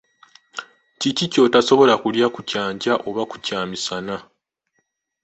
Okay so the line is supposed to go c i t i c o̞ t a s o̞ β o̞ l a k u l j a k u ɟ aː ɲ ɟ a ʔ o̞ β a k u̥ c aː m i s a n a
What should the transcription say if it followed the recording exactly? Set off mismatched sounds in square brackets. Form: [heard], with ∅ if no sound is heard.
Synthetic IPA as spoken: c i [c] i c o̞ t a s o̞ β o̞ l a k u l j a k u [c] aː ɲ ɟ a ʔ o̞ β a k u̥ c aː m i s a n a